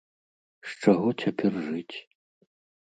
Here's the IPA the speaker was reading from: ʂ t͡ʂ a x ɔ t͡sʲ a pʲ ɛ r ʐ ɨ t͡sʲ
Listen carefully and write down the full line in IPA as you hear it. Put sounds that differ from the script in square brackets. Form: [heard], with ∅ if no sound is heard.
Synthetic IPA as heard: ʂ t͡ʂ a [ɣ] ɔ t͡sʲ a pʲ ɛ r ʐ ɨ t͡sʲ